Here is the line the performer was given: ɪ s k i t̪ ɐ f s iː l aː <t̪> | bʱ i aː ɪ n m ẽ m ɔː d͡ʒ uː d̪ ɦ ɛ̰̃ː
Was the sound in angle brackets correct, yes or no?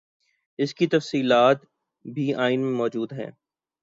yes